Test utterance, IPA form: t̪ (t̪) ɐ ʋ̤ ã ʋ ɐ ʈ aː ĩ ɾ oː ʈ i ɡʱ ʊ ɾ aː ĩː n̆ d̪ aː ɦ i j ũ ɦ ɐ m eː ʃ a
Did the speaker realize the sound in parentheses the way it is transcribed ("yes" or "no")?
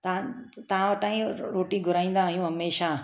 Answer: yes